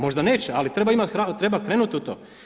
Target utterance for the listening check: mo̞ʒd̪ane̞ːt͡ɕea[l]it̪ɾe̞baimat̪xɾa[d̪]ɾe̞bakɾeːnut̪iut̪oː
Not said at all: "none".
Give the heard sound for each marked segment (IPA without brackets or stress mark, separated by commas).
l, t̪